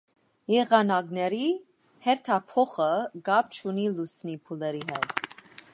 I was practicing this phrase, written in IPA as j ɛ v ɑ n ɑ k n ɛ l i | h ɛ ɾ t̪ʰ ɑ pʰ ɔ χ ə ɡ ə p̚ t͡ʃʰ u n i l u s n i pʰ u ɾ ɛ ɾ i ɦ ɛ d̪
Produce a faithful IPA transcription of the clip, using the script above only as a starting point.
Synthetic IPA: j ɛ ʁ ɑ n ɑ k n ɛ ɾ i | h ɛ ɾ t̪ʰ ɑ pʰ ɔ χ ə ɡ ɑ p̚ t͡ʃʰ u n i l u s n i pʰ u l ɛ ɾ i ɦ ɛ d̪